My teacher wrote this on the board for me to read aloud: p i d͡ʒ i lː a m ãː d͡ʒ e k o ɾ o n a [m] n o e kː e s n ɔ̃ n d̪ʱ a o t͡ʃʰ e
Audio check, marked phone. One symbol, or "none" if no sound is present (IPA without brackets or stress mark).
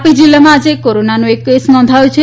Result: none